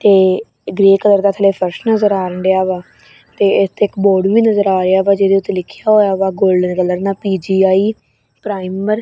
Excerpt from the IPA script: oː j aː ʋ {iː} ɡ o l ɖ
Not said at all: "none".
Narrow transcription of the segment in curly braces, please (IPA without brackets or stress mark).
aː